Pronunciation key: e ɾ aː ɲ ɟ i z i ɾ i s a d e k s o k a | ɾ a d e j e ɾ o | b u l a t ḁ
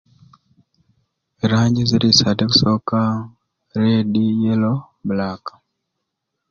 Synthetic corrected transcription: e ɾ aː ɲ ɟ i z i ɾ i s a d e k s o k a | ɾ e d i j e l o | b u l a k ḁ